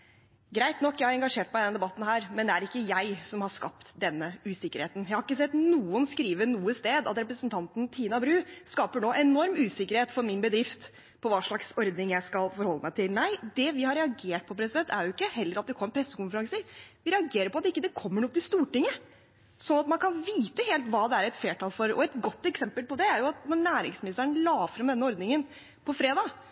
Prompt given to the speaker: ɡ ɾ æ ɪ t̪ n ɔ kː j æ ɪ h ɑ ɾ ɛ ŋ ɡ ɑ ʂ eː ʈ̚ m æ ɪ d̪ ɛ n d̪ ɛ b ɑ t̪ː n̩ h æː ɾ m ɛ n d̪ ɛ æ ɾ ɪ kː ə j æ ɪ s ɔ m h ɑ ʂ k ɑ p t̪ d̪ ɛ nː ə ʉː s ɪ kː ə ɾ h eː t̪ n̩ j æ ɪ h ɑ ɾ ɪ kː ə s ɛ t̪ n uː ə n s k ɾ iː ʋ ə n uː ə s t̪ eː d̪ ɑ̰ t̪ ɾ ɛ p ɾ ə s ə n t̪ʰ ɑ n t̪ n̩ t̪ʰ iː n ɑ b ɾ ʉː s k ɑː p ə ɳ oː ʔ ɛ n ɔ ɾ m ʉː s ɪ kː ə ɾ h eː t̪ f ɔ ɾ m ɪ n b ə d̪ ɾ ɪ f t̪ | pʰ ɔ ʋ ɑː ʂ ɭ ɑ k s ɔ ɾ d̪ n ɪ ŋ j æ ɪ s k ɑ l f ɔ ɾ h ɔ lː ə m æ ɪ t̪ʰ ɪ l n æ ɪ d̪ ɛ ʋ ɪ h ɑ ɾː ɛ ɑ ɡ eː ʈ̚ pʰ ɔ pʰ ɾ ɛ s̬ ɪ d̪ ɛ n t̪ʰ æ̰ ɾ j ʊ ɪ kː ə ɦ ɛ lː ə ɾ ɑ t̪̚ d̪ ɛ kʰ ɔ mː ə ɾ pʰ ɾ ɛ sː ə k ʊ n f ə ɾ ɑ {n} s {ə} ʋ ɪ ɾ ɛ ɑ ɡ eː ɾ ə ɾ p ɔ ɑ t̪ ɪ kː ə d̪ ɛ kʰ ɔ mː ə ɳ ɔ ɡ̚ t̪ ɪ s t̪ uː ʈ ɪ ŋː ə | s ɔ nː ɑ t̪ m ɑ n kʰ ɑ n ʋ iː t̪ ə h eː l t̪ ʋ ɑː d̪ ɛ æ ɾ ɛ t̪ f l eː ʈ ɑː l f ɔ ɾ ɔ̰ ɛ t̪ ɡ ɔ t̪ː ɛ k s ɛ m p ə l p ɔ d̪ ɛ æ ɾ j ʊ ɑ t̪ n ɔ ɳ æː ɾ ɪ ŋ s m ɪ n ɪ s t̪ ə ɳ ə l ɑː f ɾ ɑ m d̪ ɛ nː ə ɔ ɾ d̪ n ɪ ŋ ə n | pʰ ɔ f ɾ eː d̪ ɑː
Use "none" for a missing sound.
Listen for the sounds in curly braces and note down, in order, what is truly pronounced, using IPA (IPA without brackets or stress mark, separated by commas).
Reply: ŋ, ə